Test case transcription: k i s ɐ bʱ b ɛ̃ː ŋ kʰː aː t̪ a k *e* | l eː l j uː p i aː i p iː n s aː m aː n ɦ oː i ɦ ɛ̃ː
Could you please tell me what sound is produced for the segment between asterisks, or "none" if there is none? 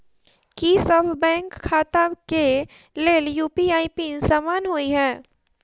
e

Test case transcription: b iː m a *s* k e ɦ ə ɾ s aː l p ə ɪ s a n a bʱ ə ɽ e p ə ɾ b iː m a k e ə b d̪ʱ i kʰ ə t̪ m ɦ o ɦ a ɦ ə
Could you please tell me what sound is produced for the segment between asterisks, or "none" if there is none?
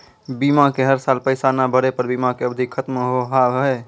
none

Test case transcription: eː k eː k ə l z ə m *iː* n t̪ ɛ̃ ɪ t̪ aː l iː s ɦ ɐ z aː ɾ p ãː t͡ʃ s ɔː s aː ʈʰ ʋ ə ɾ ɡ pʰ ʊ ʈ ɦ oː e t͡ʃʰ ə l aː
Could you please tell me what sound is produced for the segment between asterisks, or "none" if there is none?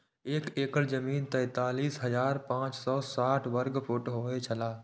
iː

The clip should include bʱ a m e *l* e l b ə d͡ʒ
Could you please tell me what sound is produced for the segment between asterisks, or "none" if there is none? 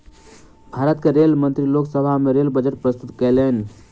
ɾ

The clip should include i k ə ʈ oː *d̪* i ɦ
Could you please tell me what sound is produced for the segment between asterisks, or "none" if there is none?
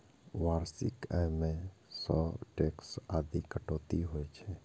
t̪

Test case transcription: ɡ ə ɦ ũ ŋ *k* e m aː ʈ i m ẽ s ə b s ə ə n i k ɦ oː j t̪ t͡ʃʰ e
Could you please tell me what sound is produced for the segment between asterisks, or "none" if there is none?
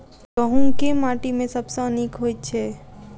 k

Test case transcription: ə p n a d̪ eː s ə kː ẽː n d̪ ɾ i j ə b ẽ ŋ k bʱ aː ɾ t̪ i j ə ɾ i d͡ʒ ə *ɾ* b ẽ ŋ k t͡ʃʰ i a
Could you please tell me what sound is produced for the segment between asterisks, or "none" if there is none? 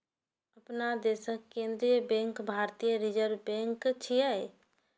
ɾ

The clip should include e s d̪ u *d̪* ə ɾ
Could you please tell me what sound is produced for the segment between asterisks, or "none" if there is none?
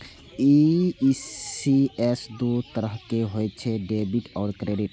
t̪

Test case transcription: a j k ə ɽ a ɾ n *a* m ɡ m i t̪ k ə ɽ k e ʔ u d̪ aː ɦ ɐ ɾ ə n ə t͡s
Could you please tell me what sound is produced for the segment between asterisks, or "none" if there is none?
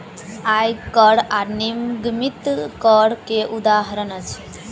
i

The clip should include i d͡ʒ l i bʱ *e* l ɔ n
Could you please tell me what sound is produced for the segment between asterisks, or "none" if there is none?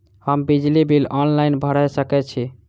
i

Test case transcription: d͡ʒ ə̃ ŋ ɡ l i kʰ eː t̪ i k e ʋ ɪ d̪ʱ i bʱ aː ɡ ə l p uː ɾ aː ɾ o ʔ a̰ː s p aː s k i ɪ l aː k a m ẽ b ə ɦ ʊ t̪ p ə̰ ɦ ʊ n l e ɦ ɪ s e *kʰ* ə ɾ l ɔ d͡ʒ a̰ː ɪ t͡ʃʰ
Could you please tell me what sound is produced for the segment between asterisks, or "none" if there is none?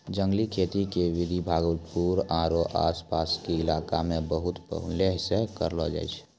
k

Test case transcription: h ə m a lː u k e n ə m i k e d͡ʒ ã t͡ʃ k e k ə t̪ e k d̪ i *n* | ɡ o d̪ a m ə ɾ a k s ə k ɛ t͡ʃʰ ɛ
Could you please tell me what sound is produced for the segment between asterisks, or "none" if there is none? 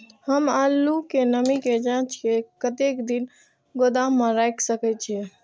n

